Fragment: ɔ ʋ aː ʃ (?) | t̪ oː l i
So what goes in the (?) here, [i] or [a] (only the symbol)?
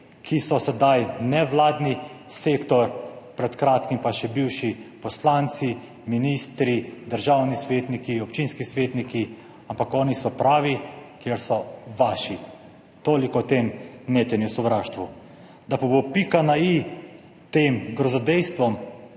i